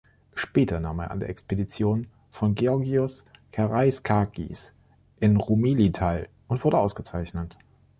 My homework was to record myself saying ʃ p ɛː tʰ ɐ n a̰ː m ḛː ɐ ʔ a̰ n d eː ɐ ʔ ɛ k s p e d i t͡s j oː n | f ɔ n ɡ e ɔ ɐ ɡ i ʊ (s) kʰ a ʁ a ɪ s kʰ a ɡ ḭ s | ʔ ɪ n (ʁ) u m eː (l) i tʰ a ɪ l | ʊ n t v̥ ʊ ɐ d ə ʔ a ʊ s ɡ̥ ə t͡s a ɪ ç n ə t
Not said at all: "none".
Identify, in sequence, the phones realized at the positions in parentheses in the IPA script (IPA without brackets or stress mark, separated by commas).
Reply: s, ʁ, l